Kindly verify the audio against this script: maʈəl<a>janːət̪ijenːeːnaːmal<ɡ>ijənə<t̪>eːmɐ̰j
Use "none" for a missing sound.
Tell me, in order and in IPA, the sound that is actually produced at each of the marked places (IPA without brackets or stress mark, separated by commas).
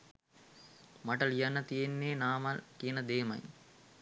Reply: i, k, d̪